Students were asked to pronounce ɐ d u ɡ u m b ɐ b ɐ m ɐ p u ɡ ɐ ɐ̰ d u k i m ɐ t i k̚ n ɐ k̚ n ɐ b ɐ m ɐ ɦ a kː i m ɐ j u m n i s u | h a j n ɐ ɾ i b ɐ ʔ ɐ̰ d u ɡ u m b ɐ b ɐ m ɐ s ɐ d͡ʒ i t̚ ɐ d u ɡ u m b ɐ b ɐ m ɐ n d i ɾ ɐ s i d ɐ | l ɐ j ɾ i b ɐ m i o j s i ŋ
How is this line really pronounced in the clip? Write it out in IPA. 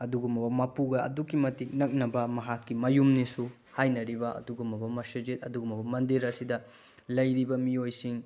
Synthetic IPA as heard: ɐ d u ɡ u m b ɐ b ɐ m ɐ p u ɡ ɐ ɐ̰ d u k i m ɐ t i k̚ n ɐ k̚ n ɐ b ɐ m ɐ ɦ a kː i m ɐ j u m n i s u | h a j n ɐ ɾ i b ɐ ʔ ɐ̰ d u ɡ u m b ɐ b ɐ m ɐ s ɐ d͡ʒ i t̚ ɐ d u ɡ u m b ɐ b ɐ m ɐ n d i ɾ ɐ s i d ɐ | l ɐ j ɾ i b ɐ m i o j s i ŋ